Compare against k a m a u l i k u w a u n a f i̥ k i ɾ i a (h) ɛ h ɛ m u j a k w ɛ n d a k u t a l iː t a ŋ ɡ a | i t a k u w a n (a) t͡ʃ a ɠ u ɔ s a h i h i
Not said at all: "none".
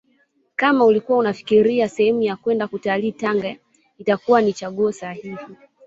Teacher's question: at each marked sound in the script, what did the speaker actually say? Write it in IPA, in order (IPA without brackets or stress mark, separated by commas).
s, i